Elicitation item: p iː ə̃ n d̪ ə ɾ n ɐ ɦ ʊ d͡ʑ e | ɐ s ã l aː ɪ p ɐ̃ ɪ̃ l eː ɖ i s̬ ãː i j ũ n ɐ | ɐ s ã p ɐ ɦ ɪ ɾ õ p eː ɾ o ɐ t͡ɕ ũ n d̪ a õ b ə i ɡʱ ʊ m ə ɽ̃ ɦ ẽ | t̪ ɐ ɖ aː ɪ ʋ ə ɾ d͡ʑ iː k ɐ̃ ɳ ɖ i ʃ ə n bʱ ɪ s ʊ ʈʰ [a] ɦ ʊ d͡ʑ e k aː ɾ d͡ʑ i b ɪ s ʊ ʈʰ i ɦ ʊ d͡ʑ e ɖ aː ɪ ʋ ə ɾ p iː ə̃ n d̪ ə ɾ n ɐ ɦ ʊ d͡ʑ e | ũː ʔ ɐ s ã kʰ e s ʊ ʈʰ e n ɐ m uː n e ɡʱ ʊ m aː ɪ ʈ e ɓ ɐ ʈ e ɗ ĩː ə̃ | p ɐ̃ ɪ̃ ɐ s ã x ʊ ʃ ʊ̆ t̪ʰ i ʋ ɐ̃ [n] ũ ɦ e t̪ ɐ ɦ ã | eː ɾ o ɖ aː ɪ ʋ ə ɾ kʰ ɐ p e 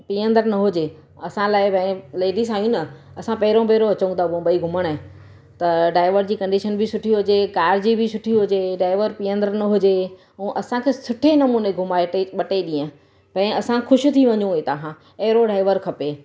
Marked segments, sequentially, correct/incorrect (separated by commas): incorrect, incorrect